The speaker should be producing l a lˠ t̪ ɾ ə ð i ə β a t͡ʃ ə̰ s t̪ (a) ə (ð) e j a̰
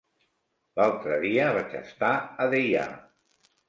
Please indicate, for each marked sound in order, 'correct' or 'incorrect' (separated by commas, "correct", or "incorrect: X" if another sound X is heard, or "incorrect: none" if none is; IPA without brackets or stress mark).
correct, correct